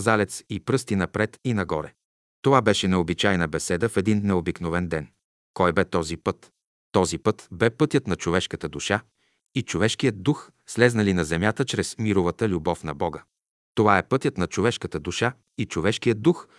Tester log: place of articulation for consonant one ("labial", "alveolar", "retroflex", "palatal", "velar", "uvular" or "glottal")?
alveolar